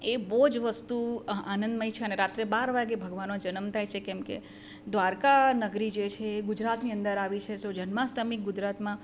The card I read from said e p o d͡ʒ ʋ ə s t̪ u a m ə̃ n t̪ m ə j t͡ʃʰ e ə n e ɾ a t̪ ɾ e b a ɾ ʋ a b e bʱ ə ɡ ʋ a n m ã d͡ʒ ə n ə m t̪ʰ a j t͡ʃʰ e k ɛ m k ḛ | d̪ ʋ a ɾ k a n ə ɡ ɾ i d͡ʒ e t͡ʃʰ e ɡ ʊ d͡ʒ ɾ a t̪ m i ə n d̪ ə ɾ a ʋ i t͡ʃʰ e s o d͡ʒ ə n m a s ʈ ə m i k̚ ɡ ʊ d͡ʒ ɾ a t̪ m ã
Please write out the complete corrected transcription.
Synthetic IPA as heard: e b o d͡ʒ ʋ ə s t̪ u a n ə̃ n d̪ m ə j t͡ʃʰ e ə n e ɾ a t̪ ɾ e b a ɾ ʋ a ɡ e bʱ ə ɡ ʋ a n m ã d͡ʒ ə n ə m t̪ʰ a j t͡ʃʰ e k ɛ m k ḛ | d̪ ʋ a ɾ k a n ə ɡ ɾ i d͡ʒ e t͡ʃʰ e ɡ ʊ d͡ʒ ɾ a t̪ n i ə n d̪ ə ɾ a ʋ i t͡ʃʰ e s o d͡ʒ ə n m a s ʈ ə m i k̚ ɡ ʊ d͡ʒ ɾ a t̪ m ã